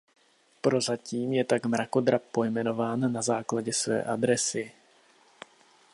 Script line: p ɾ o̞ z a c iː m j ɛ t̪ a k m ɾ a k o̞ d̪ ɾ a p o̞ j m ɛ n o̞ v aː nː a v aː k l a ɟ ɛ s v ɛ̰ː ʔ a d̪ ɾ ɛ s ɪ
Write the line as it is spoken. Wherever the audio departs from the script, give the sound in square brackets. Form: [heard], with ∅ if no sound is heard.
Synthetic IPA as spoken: p ɾ o̞ z a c iː m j ɛ t̪ a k m ɾ a k o̞ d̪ ɾ a p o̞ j m ɛ n o̞ v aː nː a [z] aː k l a ɟ ɛ s v ɛ̰ː ʔ a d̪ ɾ ɛ s ɪ

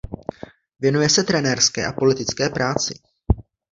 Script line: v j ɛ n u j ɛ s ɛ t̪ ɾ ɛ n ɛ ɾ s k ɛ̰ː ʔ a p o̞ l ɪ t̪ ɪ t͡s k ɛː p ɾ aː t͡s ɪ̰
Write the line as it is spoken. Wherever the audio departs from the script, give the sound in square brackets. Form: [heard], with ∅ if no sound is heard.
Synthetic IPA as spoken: v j ɛ n u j ɛ s ɛ t̪ ɾ ɛ n ɛ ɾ s k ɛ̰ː ʔ a p o̞ l ɪ t̪ ɪ t͡s k ɛː p ɾ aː t͡s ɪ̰

